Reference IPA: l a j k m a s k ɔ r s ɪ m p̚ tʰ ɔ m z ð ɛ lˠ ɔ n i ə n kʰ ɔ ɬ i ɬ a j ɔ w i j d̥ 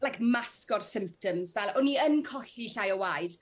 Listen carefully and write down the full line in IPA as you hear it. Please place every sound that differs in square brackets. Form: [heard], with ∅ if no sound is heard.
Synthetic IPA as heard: l a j k m a s k ɔ r s ɪ m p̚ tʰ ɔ m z [v] ɛ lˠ ɔ n i ə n kʰ ɔ ɬ i ɬ a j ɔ w [a] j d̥